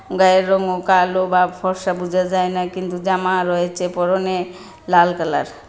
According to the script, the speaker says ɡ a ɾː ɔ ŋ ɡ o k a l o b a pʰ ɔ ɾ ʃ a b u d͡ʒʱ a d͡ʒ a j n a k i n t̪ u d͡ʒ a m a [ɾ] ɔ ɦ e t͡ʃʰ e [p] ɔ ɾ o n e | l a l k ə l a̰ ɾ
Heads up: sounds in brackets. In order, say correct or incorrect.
correct, correct

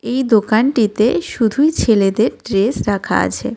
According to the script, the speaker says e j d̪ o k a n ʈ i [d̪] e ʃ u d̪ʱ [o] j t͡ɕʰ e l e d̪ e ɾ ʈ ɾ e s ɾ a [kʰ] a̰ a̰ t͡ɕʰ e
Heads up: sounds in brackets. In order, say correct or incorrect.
incorrect: t̪, incorrect: u, correct

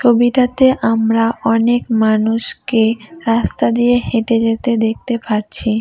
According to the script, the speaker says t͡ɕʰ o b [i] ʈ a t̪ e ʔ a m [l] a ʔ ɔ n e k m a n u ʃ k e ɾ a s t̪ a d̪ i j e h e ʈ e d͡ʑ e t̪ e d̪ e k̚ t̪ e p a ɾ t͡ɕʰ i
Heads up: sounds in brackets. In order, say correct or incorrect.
correct, incorrect: ɾ

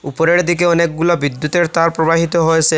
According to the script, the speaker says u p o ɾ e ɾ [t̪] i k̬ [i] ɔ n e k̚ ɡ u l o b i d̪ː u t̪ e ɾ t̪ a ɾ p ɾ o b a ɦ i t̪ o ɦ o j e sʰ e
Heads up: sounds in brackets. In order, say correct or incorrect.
incorrect: d̪, incorrect: e

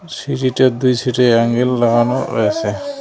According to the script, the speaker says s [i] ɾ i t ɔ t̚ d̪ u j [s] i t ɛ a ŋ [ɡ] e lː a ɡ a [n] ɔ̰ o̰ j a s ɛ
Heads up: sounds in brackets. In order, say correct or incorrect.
correct, correct, correct, correct

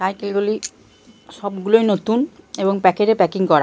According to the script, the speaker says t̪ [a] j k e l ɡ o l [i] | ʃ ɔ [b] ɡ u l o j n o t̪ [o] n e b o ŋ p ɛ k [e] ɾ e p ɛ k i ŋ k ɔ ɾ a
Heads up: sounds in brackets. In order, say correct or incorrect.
correct, correct, correct, incorrect: u, correct

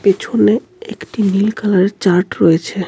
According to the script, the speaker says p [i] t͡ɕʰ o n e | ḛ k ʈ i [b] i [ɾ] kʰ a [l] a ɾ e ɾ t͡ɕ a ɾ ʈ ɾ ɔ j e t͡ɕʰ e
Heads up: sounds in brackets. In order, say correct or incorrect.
incorrect: e, incorrect: m, incorrect: l, correct

